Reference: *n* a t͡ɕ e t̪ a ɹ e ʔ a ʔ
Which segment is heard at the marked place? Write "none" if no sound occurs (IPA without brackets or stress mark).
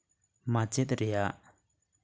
m